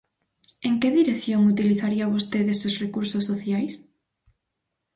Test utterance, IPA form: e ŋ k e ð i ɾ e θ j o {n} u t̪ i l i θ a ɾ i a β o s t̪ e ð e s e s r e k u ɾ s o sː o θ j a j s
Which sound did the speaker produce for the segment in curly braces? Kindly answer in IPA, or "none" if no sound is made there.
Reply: ŋ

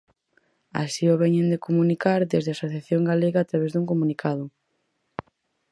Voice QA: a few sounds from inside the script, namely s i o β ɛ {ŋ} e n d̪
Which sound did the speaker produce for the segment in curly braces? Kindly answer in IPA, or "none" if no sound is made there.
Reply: ɲ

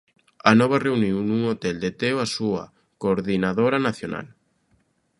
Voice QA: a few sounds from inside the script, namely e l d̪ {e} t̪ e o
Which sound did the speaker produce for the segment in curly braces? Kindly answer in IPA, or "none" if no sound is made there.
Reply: e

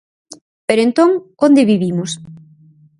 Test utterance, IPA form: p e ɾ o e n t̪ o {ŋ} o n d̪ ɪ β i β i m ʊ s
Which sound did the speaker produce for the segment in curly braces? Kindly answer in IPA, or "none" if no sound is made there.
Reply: ŋ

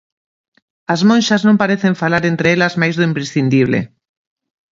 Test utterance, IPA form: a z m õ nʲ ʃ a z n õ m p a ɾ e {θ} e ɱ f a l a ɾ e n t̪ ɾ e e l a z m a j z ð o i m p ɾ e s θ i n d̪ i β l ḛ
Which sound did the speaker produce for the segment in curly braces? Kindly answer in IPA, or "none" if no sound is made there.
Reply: θ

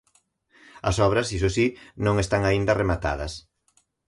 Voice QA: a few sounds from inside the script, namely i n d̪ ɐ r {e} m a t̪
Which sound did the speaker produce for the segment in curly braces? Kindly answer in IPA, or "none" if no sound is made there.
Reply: e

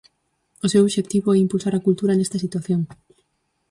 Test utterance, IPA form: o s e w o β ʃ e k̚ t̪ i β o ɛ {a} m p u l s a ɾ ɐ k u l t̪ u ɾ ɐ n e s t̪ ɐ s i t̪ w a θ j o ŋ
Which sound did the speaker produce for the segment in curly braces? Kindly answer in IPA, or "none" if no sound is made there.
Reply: i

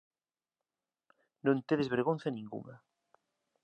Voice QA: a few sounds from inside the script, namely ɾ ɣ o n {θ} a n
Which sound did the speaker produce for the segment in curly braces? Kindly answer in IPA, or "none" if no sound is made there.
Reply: θ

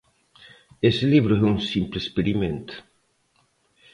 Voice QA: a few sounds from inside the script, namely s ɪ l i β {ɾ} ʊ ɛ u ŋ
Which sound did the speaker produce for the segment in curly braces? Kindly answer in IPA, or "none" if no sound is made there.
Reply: ɾ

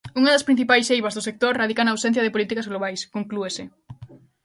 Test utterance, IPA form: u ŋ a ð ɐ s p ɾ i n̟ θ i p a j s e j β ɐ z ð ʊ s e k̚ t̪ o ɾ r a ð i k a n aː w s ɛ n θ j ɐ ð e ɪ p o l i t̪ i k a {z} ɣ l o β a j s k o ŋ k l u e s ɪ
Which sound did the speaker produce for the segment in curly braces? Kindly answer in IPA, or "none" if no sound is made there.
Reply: z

